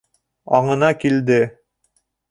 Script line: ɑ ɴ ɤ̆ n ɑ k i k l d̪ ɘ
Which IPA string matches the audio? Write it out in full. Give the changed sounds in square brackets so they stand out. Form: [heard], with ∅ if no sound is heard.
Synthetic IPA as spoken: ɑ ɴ ɤ̆ n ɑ k i [∅] l d̪ ɘ